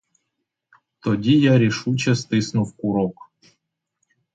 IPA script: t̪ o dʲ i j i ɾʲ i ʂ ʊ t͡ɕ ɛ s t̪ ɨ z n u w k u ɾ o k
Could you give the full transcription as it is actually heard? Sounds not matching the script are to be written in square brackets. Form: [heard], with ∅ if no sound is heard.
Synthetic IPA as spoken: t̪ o dʲ i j [a] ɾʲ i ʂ [u] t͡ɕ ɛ s t̪ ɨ [s] n u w k u ɾ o k